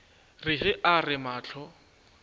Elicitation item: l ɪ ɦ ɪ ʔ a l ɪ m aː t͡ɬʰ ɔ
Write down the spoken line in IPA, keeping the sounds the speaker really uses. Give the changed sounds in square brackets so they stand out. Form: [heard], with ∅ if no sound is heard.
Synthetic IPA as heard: [r] ɪ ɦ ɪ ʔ a [r] ɪ m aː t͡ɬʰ ɔ